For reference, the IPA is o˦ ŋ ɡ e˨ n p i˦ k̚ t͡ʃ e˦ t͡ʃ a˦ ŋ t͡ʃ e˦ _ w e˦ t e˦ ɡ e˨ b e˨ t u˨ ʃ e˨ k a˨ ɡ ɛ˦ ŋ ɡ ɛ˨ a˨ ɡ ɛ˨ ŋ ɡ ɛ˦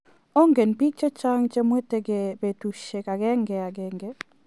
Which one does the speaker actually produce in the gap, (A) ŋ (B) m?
B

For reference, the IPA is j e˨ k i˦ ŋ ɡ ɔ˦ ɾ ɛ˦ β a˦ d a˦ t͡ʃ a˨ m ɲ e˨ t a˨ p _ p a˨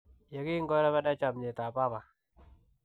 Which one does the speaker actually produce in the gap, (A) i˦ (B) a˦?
B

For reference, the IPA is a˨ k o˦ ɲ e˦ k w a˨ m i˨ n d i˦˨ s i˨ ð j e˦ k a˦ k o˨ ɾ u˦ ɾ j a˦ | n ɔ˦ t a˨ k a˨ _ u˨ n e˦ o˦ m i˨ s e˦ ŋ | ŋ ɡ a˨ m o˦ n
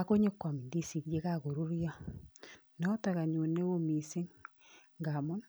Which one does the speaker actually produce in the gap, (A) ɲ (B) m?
A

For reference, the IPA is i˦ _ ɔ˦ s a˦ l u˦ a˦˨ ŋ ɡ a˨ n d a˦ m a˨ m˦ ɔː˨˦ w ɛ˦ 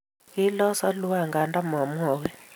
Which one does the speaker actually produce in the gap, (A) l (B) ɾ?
A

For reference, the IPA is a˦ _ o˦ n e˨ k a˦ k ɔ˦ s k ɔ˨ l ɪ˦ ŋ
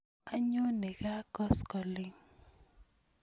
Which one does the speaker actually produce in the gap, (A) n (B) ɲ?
B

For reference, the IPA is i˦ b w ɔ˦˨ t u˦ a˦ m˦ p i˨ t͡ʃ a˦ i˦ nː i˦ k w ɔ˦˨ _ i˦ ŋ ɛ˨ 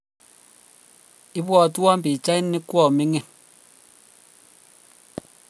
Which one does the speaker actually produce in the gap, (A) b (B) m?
B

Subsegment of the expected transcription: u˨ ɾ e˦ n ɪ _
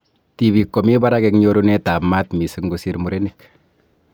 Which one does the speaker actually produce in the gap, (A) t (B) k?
B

